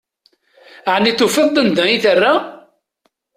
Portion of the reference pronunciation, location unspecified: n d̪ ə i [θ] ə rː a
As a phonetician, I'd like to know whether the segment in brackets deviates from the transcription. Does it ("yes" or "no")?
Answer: no